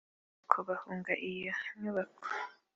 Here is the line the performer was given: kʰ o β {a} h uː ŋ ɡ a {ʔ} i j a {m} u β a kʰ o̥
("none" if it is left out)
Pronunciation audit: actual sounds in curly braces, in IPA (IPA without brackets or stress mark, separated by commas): a, ʔ, ɲ